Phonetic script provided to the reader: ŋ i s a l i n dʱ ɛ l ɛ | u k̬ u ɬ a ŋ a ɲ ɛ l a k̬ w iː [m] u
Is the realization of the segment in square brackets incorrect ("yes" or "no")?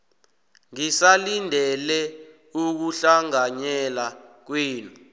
yes